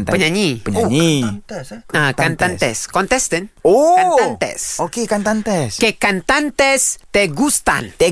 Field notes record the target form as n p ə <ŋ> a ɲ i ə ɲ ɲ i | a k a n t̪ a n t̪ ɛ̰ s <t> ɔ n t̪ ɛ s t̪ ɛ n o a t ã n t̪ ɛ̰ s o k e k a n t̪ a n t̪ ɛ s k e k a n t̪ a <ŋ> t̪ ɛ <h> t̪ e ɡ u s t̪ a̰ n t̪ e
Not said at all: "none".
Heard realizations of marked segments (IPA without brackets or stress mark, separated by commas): ɲ, k, n, s